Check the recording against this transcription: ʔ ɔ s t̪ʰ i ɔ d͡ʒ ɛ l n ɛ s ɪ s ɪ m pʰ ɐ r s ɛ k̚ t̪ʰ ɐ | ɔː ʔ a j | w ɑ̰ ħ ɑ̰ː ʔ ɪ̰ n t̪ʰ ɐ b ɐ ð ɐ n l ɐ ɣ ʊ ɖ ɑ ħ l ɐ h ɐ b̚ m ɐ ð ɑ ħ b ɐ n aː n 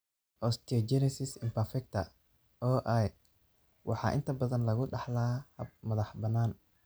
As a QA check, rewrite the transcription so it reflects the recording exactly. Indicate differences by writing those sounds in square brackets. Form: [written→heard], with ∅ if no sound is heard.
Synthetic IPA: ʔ ɔ s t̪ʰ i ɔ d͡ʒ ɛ [l→∅] n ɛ s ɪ s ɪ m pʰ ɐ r [s→f] ɛ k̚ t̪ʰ ɐ | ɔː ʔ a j | w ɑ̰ ħ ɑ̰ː ʔ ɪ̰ n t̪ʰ ɐ b ɐ ð ɐ n l ɐ ɣ ʊ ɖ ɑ ħ l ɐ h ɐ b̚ m ɐ ð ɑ ħ b ɐ n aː n